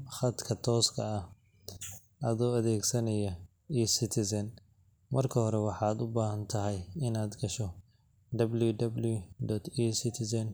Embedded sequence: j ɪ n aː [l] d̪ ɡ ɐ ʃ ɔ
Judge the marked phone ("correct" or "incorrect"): incorrect